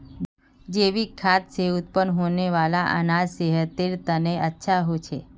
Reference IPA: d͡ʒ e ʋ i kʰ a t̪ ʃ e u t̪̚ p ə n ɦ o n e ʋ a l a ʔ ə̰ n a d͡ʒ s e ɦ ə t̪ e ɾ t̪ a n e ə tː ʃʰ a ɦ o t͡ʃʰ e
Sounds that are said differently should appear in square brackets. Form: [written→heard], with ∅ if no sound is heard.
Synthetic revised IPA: d͡ʒ e ʋ i kʰ a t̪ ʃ e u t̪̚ p ə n ɦ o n e ʋ a l a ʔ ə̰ n a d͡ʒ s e ɦ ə t̪ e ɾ t̪ [a→ə] n e ə tː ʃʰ a ɦ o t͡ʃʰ e